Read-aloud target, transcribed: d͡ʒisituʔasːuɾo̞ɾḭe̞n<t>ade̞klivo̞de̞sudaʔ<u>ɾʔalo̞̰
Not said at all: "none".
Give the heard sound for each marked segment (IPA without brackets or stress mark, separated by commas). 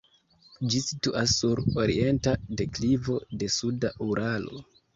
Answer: t, u